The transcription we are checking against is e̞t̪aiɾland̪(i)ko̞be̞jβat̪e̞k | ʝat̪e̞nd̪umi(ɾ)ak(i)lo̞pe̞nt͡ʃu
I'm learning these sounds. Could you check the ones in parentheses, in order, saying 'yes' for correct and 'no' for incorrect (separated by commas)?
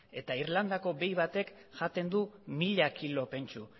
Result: no, no, yes